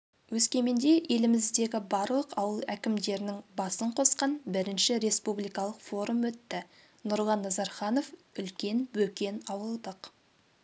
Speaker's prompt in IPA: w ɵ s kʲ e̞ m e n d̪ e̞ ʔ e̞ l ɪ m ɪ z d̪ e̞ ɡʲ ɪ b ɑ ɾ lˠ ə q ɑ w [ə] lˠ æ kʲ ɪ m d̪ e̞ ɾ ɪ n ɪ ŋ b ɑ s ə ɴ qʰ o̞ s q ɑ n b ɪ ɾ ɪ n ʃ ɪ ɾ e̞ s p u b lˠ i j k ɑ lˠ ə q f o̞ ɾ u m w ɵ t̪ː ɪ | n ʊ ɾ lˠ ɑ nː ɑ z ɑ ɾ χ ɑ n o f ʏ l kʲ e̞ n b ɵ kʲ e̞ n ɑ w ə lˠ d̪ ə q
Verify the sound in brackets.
correct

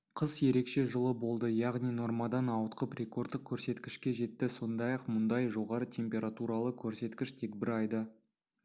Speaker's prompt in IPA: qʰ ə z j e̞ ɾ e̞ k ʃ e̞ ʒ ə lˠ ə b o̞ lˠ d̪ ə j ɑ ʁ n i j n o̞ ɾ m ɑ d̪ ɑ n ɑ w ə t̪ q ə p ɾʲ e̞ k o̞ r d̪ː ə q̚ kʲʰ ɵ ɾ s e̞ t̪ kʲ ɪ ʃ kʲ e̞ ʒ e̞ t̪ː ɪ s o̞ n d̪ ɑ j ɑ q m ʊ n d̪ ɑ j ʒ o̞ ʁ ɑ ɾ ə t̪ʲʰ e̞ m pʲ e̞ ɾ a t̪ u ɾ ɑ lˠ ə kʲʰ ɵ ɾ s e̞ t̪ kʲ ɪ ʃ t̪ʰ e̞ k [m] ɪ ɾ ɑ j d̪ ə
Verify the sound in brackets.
incorrect: b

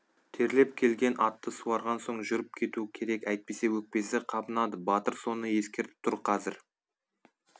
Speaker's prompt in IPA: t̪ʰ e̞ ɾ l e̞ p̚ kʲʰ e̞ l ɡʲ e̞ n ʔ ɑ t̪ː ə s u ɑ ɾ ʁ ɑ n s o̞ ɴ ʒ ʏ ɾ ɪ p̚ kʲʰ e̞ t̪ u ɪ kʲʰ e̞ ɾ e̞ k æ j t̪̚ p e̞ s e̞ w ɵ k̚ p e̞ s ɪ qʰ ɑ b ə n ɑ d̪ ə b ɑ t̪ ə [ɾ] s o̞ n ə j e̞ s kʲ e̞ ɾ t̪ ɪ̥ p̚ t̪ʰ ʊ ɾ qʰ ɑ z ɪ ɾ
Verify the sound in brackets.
correct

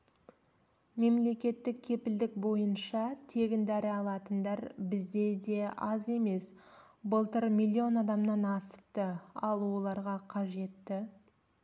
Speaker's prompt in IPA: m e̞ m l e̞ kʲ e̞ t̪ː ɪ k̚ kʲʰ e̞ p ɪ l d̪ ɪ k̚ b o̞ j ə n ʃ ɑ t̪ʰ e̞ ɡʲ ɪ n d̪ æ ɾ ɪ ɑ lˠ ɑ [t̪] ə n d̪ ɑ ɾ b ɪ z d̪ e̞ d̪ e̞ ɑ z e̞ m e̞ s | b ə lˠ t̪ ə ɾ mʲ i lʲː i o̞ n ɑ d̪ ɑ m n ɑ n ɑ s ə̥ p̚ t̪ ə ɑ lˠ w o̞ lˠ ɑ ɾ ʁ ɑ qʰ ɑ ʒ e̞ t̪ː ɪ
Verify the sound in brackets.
correct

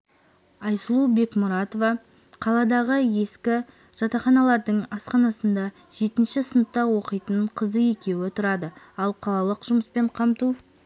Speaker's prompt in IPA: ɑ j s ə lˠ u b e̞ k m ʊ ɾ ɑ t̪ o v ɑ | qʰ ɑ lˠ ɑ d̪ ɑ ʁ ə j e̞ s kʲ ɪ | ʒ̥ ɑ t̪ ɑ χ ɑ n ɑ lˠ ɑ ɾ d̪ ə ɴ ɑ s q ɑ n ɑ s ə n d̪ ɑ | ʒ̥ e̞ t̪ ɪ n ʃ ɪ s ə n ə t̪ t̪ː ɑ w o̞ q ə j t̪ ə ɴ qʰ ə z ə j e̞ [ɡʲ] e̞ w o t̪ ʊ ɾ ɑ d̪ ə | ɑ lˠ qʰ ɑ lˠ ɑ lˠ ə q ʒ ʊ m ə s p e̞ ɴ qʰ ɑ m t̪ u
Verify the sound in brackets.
incorrect: kʲ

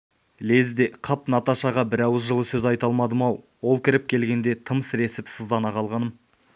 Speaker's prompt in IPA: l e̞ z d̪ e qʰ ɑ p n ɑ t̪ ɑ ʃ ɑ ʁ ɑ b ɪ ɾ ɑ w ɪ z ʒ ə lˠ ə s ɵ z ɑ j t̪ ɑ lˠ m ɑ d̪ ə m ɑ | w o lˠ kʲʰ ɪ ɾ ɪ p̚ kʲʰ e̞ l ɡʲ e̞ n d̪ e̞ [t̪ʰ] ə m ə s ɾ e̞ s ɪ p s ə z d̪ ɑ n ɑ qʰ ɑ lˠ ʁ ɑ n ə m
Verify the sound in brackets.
correct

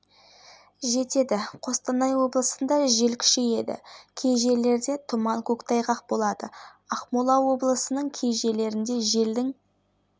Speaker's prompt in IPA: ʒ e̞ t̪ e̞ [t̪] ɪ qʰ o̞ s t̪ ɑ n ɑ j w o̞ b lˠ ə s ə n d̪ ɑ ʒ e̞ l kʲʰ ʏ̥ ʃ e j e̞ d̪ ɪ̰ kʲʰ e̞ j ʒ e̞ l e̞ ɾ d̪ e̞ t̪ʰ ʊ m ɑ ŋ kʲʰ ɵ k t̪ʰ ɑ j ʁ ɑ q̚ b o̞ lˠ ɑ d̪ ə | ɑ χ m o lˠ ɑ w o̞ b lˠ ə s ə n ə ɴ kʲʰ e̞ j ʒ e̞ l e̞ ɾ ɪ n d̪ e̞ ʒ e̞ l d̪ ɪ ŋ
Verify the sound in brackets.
incorrect: d̪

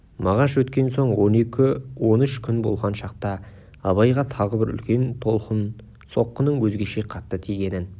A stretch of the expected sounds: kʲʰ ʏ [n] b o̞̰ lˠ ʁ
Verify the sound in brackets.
correct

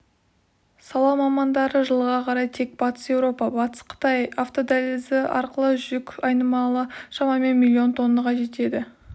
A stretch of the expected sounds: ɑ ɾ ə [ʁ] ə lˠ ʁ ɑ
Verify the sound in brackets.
incorrect: ʒ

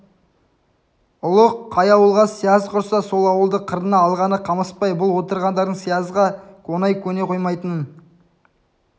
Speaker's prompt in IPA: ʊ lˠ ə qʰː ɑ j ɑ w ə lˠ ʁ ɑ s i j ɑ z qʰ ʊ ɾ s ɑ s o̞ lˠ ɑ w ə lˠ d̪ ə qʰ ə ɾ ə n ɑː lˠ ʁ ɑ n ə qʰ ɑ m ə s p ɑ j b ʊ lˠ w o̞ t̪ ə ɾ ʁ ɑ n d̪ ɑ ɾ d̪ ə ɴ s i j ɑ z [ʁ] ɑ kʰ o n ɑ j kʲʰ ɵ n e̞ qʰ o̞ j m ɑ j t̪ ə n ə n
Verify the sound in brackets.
correct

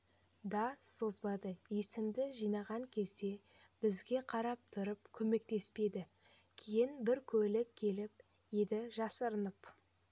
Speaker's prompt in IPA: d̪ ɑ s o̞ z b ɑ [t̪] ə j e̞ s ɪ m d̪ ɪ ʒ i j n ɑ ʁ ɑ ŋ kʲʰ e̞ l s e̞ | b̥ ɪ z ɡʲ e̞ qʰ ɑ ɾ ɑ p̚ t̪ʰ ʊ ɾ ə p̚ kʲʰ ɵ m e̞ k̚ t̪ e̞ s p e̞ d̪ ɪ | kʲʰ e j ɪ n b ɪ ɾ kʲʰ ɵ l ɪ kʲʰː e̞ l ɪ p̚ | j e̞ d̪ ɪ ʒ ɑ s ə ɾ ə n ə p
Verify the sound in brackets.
incorrect: d̪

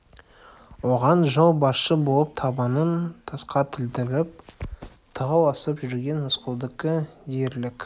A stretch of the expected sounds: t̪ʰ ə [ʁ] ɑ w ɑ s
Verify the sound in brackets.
correct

